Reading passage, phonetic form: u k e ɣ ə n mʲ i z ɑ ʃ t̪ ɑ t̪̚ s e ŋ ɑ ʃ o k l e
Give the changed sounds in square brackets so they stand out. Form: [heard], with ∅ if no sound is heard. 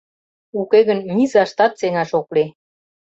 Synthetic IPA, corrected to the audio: u k e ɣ ə n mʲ i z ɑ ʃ t̪ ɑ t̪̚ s e ŋ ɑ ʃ o k l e